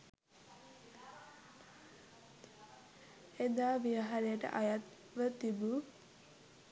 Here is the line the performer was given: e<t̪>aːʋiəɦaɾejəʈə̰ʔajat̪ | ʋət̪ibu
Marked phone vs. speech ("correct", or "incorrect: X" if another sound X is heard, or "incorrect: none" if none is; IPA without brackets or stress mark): incorrect: d̪